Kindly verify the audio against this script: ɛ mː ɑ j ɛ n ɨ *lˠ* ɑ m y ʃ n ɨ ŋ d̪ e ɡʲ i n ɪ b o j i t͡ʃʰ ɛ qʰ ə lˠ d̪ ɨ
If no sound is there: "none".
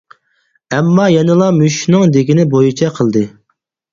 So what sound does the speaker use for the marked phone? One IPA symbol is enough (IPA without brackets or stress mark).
lˠ